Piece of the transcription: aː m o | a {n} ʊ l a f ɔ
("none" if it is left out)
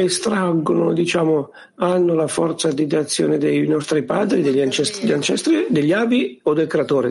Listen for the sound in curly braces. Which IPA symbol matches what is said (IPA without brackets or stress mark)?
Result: nː